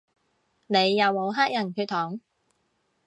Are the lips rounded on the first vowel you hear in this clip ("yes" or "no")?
no